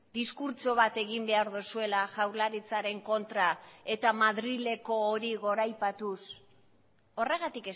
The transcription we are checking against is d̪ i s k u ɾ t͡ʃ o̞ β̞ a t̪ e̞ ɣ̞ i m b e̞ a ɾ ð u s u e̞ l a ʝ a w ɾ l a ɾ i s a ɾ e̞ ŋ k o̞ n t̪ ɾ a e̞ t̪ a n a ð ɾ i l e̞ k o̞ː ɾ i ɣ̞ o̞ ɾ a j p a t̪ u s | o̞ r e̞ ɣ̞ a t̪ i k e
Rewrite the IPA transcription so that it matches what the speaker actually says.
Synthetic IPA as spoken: d̪ i s k u ɾ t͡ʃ o̞ β̞ a t̪ e̞ ɣ̞ i m b e̞ a ɾ ð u s u e̞ l a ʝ a w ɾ l a ɾ i t͡s a ɾ e̞ ŋ k o̞ n t̪ ɾ a e̞ t̪ a m a ð ɾ i l e̞ k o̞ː ɾ i ɣ̞ o̞ ɾ a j p a t̪ u s | o̞ r e̞ ɣ̞ a t̪ i k e